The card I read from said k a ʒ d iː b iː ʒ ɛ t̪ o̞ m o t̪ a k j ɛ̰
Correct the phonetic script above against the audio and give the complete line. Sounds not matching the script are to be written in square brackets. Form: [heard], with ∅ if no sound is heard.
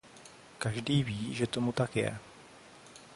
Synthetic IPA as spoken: k a ʒ d iː [v] iː ʒ ɛ t̪ o̞ m [u] t̪ a k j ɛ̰